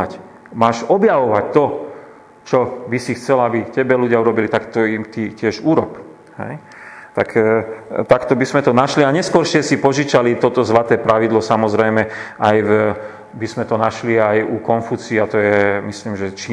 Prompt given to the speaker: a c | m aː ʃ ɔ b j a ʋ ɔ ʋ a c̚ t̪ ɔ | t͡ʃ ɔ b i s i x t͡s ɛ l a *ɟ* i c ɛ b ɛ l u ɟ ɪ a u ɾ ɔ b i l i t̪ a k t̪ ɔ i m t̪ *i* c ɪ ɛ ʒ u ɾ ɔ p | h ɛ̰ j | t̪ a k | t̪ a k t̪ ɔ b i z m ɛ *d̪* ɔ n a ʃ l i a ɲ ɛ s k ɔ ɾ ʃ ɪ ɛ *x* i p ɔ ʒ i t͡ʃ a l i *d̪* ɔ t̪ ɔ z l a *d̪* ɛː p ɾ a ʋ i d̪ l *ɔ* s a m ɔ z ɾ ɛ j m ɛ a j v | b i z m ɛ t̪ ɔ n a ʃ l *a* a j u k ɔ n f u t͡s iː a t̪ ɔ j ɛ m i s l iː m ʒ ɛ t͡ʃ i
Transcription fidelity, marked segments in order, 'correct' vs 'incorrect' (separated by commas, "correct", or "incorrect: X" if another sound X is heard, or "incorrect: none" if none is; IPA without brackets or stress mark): incorrect: b, correct, incorrect: t̪, incorrect: s, incorrect: t̪, incorrect: t̪, correct, incorrect: i